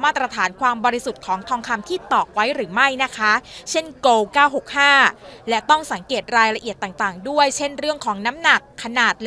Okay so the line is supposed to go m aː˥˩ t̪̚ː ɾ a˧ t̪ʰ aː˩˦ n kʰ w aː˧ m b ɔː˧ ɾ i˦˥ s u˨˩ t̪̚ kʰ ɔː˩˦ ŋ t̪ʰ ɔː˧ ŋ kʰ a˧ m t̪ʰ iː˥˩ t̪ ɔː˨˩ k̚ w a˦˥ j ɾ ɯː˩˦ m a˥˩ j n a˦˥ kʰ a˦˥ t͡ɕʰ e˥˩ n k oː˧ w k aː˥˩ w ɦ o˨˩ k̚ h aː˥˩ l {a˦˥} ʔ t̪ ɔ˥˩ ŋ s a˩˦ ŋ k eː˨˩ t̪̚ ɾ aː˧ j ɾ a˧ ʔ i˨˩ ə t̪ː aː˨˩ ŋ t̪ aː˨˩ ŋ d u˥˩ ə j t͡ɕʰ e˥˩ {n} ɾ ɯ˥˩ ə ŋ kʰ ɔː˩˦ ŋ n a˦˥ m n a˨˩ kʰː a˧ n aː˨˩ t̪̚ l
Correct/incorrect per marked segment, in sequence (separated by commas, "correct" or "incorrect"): incorrect, correct